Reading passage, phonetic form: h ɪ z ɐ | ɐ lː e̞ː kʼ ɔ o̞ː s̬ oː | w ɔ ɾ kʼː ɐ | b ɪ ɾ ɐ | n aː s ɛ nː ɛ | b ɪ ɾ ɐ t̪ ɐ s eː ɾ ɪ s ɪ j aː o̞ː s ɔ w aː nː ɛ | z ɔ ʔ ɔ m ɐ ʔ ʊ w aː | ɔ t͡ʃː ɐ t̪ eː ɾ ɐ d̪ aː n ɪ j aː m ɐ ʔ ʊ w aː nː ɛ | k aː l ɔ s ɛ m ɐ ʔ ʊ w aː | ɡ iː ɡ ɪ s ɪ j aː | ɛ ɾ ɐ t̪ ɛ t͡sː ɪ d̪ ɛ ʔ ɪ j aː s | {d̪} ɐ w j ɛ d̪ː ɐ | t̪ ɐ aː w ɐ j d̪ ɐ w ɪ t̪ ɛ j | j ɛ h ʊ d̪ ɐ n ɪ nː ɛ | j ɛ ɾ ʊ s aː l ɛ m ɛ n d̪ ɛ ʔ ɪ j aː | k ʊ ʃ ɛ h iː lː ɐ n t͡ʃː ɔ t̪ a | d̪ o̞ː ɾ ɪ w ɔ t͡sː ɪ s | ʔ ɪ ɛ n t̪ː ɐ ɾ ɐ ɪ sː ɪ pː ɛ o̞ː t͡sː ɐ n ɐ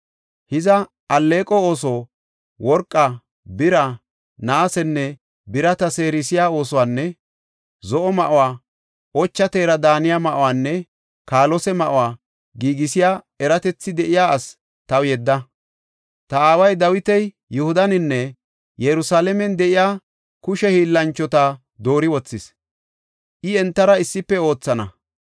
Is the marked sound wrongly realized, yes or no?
yes